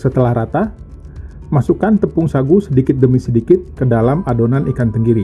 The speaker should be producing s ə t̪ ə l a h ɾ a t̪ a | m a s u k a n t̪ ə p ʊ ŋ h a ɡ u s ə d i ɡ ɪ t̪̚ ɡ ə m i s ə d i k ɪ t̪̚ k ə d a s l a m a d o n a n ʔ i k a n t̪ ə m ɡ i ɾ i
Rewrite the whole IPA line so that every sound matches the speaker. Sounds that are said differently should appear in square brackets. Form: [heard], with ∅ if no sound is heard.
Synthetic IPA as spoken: s ə t̪ ə l a h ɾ a t̪ a | m a s u k a n t̪ ə p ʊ ŋ [s] a ɡ u s ə d i [k] ɪ t̪̚ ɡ ə m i s ə d i k ɪ t̪̚ k ə d a [∅] l a m a d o n a n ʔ i k a n t̪ ə [ŋ] ɡ i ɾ i